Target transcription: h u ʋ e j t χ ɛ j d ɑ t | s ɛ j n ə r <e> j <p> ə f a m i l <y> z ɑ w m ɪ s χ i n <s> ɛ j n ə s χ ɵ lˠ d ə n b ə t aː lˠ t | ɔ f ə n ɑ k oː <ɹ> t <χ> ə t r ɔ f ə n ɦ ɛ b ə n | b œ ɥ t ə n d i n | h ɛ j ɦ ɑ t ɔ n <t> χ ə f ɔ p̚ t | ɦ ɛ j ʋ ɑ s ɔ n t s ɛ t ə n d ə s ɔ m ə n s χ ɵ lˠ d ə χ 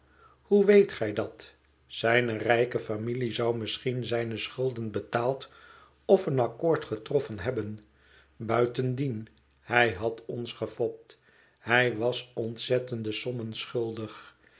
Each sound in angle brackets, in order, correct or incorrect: incorrect: ɛ, incorrect: k, incorrect: i, incorrect: z, correct, correct, incorrect: s

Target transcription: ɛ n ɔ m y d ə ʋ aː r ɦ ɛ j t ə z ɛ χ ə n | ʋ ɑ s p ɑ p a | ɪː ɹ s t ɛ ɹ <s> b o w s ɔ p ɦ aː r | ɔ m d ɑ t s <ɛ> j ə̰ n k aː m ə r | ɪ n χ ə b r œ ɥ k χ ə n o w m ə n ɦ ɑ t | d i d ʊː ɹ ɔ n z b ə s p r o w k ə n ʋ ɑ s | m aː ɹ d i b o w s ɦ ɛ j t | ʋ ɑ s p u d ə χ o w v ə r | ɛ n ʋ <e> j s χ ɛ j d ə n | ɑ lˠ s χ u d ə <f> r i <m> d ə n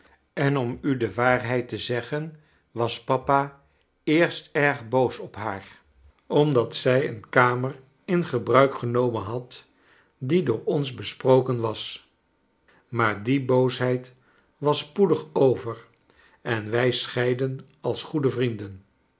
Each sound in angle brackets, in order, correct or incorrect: incorrect: χ, correct, incorrect: ɛ, incorrect: v, incorrect: n

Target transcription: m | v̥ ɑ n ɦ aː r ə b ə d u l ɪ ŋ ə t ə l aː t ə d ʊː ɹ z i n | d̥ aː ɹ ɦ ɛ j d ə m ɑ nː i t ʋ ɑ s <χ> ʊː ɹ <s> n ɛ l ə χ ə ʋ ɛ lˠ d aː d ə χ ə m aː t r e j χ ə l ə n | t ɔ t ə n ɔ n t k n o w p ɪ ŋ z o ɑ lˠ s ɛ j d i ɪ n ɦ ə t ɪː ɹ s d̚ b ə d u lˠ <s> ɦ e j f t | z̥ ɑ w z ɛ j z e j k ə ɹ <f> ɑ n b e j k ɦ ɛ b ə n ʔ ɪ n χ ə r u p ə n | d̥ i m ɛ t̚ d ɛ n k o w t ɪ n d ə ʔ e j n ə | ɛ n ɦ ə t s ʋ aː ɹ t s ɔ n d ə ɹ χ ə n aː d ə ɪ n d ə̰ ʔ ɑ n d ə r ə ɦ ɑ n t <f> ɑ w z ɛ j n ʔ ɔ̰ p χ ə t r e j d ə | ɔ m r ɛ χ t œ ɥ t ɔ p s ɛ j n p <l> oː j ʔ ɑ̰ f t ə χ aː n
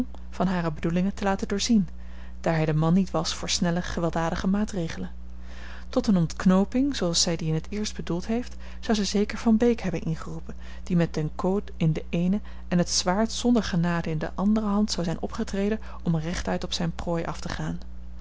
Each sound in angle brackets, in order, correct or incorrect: incorrect: f, correct, incorrect: t, incorrect: v, incorrect: s, incorrect: r

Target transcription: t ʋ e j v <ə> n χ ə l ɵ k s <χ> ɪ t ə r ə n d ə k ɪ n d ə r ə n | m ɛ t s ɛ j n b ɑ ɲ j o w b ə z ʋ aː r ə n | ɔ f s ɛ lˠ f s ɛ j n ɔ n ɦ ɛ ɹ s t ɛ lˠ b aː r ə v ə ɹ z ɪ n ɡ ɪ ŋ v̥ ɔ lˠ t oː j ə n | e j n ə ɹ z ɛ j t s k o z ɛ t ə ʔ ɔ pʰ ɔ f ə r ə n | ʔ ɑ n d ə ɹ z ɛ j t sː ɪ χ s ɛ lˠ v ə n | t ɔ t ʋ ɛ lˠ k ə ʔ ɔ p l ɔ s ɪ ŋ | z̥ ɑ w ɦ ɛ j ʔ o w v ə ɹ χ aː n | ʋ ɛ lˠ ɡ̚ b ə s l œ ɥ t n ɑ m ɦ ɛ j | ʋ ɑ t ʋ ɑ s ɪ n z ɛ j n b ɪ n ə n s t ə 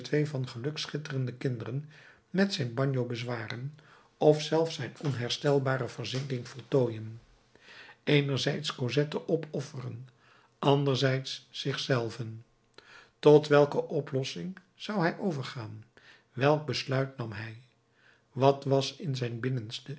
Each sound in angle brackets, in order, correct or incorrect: incorrect: ɑ, correct

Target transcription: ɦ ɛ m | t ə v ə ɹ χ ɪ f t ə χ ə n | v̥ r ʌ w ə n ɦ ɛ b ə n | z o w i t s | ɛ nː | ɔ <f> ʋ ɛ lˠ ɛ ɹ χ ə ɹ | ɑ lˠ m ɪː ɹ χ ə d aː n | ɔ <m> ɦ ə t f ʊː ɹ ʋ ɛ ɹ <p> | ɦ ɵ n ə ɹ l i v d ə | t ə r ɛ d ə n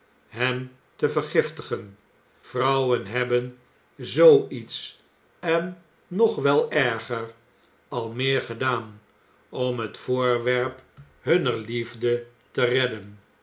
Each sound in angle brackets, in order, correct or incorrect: incorrect: χ, correct, correct

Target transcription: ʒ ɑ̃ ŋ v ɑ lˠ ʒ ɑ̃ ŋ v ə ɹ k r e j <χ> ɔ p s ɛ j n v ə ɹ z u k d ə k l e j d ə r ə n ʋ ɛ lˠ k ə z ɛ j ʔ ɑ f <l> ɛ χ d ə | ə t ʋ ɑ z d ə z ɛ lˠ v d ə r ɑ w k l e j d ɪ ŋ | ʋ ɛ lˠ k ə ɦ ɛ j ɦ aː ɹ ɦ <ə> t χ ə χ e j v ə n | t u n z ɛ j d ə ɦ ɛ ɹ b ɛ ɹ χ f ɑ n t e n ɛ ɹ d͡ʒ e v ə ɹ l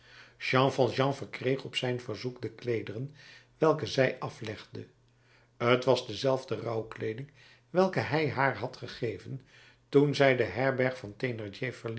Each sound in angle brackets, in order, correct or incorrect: correct, correct, incorrect: ɑ

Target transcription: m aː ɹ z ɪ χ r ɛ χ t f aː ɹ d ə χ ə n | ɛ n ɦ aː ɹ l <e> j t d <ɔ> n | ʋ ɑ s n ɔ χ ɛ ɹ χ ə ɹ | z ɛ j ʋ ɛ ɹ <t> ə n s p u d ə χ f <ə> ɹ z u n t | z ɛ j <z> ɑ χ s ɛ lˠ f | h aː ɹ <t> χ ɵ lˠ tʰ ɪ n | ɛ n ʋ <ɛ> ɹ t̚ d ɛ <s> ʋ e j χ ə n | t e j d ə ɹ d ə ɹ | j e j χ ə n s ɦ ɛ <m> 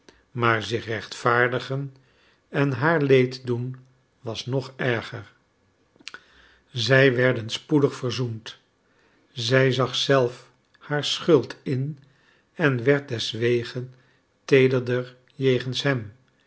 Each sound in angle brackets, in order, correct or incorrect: correct, incorrect: u, incorrect: d, correct, correct, incorrect: s, correct, correct, correct

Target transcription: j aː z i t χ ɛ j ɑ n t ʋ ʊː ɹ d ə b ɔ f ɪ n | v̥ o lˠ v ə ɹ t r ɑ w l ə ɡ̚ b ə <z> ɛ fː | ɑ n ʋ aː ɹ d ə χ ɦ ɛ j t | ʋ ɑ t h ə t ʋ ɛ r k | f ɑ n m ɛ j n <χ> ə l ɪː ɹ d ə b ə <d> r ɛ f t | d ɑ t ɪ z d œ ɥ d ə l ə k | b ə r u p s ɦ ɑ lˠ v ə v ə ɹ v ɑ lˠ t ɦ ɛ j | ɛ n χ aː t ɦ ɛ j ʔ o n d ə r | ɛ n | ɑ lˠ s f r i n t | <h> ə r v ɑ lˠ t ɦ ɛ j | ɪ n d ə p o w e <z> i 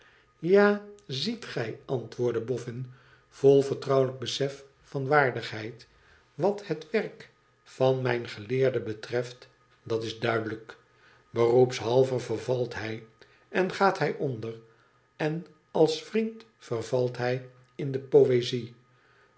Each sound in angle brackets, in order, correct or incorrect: incorrect: s, correct, incorrect: t, incorrect: f, correct

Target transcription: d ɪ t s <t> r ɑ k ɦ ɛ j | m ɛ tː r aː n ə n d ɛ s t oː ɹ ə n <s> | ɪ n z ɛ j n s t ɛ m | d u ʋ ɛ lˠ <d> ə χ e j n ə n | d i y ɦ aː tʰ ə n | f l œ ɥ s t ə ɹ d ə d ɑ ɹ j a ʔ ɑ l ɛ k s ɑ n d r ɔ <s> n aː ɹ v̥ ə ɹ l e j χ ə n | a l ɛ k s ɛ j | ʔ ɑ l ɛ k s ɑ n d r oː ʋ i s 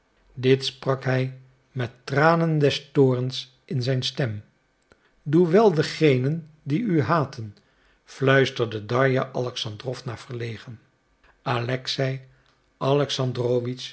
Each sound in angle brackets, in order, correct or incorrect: incorrect: p, correct, correct, incorrect: f

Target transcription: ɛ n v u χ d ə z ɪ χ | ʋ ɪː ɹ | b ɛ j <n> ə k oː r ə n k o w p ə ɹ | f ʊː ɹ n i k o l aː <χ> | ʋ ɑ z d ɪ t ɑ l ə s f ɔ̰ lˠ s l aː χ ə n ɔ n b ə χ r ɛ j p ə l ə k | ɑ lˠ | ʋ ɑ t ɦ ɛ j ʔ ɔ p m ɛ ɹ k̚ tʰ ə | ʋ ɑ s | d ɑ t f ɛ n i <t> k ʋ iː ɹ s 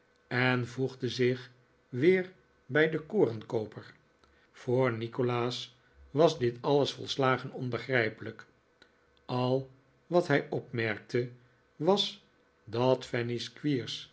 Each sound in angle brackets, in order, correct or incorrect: incorrect: d, incorrect: s, incorrect: s

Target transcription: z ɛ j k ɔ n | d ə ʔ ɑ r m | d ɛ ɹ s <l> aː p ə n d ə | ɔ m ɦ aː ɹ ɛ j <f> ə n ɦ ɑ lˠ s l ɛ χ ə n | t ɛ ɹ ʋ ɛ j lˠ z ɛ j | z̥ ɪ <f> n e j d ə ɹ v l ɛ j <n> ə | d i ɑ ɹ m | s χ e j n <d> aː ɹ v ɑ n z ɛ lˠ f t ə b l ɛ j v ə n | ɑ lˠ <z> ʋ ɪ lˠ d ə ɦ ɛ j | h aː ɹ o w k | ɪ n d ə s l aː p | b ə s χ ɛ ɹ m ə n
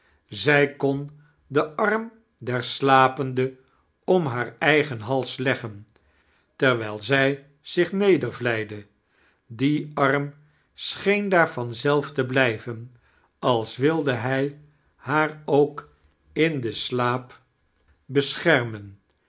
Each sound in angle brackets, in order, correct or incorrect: correct, incorrect: χ, incorrect: χ, incorrect: d, correct, incorrect: s

